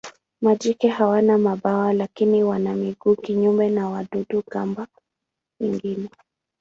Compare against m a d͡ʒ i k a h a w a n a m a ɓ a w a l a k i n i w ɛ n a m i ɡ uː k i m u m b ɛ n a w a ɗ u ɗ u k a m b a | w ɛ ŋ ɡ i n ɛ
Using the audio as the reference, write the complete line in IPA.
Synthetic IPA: m a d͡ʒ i k ɛ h a w a n a m a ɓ a w a l a k i n i w a n a m i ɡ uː k i ɲ u m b ɛ n a w a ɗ u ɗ u k a m b a | w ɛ ŋ ɡ i n ɛ